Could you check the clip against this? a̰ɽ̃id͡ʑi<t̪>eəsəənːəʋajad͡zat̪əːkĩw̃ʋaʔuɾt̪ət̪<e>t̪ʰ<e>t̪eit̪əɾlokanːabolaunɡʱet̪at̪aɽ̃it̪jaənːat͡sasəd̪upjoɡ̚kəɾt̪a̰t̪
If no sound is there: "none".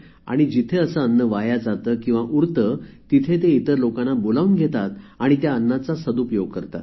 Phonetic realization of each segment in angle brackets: t̪ʰ, i, e

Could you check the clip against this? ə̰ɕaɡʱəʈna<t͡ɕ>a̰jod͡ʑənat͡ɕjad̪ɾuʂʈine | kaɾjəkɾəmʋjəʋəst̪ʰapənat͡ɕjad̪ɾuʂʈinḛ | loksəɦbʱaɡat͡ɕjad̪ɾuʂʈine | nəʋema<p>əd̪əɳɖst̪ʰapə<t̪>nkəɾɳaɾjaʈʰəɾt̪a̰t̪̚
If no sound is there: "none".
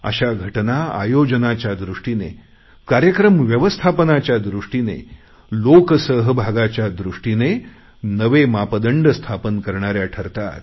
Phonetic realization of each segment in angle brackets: none, p, none

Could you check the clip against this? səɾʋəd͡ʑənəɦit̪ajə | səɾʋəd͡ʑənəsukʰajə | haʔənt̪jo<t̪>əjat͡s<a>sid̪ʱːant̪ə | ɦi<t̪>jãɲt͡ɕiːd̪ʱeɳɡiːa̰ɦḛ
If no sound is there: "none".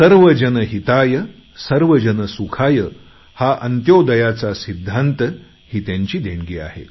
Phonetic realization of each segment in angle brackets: d̪, a, t̪

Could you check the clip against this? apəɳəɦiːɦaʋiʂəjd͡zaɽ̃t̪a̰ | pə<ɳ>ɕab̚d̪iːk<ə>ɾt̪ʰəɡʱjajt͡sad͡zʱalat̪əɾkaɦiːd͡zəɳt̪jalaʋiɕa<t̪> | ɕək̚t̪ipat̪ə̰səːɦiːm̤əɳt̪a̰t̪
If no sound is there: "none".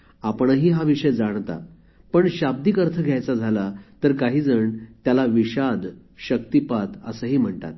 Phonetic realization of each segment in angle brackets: ɳ, ə, d̪

